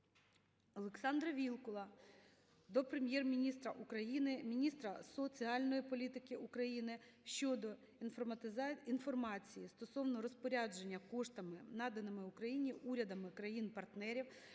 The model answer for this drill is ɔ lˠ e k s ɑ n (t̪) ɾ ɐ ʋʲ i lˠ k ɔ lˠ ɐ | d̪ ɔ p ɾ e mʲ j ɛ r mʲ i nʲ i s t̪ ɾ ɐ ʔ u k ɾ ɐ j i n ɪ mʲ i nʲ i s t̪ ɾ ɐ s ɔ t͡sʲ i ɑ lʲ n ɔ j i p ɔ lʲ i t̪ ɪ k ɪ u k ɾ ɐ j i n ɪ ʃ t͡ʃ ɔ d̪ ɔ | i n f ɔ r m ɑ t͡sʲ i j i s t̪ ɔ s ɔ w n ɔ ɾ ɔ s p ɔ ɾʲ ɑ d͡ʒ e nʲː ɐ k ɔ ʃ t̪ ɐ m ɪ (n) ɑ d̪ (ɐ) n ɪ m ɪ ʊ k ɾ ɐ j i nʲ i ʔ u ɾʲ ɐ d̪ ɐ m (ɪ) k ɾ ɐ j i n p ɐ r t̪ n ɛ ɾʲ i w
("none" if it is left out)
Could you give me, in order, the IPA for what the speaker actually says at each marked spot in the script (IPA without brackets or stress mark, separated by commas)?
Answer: d̪, n, ɐ, ɪ